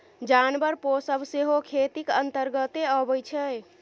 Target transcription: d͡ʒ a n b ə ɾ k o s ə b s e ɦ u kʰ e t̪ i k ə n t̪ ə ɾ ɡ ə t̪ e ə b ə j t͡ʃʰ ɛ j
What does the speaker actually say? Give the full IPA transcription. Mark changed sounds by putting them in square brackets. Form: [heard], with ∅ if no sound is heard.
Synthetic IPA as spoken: d͡ʒ a n b ə ɾ [p] o s ə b s e ɦ [o] kʰ e t̪ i k ə n t̪ ə ɾ ɡ ə t̪ e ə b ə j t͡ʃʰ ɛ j